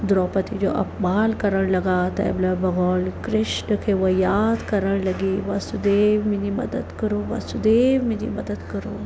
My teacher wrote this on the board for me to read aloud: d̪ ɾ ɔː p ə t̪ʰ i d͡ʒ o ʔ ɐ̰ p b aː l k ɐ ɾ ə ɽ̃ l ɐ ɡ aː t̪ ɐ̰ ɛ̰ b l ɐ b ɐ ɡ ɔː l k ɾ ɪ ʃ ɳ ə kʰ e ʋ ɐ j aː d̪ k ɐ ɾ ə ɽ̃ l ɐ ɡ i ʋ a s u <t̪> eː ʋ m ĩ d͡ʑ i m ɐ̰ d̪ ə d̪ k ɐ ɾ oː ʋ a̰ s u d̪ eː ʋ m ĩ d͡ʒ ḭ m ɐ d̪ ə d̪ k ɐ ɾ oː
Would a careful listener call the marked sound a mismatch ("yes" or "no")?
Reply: yes